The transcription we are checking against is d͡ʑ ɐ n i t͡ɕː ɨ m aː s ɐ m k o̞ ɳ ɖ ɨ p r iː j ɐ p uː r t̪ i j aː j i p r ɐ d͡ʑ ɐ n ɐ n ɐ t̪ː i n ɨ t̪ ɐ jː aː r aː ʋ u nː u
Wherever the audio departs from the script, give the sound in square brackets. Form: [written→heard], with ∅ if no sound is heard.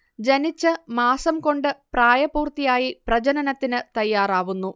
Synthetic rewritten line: d͡ʑ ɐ n i t͡ɕː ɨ m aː s ɐ m k o̞ ɳ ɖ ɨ p r [iː→aː] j ɐ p uː r t̪ i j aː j i p r ɐ d͡ʑ ɐ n ɐ n ɐ t̪ː i n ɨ t̪ ɐ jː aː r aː ʋ u nː u